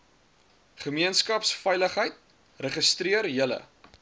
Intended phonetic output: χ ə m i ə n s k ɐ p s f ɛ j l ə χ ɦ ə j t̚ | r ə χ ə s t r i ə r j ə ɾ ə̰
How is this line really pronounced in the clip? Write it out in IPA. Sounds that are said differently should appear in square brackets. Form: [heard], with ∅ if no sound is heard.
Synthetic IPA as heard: χ ə m i ə n s k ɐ p s f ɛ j l ə χ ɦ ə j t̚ | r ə χ ə s t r i ə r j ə [l] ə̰